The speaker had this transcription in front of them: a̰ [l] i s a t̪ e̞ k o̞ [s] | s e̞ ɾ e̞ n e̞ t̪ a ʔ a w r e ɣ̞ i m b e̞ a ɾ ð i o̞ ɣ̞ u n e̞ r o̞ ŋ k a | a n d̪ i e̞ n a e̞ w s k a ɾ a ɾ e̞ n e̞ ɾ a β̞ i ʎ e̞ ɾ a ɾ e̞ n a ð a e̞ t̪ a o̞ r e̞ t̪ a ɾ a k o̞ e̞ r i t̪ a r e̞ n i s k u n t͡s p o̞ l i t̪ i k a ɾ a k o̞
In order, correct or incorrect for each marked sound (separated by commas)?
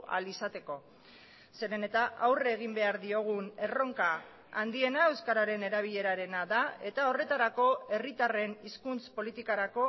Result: correct, incorrect